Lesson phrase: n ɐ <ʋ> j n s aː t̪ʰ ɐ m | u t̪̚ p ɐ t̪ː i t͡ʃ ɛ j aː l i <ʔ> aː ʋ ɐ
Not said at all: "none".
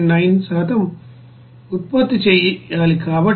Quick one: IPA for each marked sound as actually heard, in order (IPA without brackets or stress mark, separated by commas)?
none, k